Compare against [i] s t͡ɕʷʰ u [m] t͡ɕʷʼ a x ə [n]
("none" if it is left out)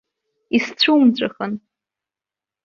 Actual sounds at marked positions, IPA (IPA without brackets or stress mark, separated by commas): i, m, n